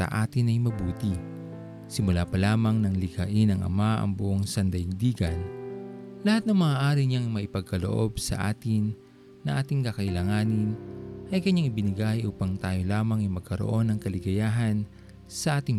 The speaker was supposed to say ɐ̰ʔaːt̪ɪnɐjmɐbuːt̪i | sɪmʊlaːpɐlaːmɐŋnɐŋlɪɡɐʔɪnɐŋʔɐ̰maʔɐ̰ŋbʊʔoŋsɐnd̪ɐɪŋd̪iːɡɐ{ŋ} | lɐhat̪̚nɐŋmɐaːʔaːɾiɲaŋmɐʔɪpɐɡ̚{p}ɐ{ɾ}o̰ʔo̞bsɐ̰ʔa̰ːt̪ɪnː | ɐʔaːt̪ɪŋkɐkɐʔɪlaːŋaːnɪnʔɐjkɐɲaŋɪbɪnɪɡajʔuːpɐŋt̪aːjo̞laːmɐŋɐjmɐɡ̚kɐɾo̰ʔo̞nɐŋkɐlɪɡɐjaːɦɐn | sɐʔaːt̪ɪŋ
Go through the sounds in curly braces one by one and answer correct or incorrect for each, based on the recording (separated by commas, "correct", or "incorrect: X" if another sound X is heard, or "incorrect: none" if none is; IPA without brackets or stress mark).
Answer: incorrect: n, incorrect: k, incorrect: l